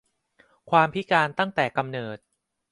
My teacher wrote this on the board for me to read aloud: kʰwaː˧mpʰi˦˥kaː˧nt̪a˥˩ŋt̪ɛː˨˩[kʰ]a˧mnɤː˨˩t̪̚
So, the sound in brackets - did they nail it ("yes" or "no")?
no